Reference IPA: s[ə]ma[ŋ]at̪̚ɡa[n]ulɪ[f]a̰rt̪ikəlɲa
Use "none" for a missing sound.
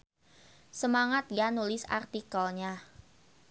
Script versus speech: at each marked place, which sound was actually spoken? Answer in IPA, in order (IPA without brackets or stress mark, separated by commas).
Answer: ə, ŋ, n, s